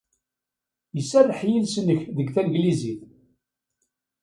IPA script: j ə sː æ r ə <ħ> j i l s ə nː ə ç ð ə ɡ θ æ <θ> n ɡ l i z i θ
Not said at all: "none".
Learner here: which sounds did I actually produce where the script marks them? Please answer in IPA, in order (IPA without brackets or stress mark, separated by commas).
ħ, none